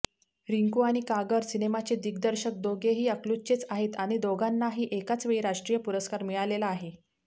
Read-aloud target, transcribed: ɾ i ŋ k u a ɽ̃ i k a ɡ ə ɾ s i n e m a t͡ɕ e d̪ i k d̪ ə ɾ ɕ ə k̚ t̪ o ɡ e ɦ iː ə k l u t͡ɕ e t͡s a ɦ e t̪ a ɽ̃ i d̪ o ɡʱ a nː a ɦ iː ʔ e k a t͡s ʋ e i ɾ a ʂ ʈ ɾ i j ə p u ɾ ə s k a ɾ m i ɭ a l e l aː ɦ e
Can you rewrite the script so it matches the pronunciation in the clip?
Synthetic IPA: ɾ i ŋ k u a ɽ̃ i k a ɡ ə ɾ s i n e m a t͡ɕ e d̪ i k d̪ ə ɾ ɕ ə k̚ d̪ o ɡ e ɦ iː ə k l u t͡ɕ e t͡s a ɦ e t̪ a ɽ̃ i d̪ o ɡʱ a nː a ɦ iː ʔ e k a t͡s ʋ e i ɾ a ʂ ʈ ɾ i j ə p u ɾ ə s k a ɾ m i ɭ a l e l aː ɦ e